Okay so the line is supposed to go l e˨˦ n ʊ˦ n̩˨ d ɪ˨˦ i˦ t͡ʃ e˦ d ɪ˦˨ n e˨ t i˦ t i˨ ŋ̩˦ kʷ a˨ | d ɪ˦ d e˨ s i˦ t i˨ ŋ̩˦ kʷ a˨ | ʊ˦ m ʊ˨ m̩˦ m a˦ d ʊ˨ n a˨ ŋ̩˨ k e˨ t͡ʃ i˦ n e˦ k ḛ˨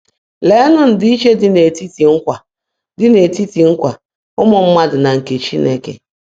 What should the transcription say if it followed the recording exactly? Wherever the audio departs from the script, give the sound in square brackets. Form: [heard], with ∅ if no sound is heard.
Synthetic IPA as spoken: l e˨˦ n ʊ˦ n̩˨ d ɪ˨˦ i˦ t͡ʃ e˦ d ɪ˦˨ n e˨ t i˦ t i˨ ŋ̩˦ kʷ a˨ | d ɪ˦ [n] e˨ [t] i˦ t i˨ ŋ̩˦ kʷ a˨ | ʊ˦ m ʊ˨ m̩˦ m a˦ d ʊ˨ n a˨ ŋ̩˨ k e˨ t͡ʃ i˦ n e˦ k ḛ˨